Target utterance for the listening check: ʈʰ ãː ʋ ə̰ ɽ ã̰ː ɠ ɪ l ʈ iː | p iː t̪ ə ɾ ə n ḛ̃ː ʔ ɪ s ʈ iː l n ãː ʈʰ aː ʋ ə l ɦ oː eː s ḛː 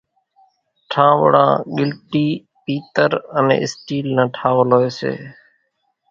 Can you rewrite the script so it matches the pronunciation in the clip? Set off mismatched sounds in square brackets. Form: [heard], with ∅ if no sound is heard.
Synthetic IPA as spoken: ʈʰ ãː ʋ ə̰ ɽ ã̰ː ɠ ɪ l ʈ iː | p iː t̪ ə ɾ ə n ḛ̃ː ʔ ɪ s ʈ iː l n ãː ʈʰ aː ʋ ə l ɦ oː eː s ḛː